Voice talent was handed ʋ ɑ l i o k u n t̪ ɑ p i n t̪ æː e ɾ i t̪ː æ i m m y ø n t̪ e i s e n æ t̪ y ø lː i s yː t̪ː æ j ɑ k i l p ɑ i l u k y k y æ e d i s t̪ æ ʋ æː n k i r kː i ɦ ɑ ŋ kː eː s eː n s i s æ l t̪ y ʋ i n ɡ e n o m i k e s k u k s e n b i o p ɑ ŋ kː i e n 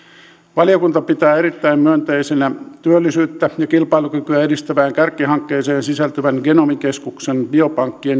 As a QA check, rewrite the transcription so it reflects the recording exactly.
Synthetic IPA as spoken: ʋ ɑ l i o k u n t̪ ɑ p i t̪ æː e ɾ i t̪ː æ i m m y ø n t̪ e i s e n æ t̪ y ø lː i s yː t̪ː æ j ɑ k i l p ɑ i l u k y k y æ e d i s t̪ æ ʋ æː ŋ k æ r kː i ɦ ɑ ŋ kː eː s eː n s i s æ l t̪ y ʋ æ n ɡ e n o m i k e s k u k s e n b i o p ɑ ŋ kː i e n